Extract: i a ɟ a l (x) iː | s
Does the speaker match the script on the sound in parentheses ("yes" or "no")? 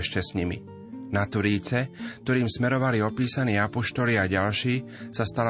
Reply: no